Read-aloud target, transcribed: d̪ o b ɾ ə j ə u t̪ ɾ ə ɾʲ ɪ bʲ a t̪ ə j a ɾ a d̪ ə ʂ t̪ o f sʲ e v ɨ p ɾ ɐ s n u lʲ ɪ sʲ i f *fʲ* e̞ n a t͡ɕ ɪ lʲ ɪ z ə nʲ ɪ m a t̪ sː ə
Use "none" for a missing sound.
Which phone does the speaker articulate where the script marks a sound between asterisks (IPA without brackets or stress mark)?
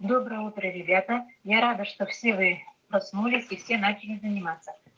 sʲ